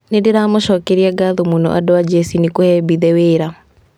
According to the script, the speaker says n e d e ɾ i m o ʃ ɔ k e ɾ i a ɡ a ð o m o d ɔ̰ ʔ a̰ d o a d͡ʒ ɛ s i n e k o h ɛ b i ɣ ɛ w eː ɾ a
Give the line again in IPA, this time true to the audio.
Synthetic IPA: n e d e ɾ a m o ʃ ɔ k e ɾ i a ɡ a ð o m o n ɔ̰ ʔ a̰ d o a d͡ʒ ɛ s i n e k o h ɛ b i ð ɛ w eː ɾ a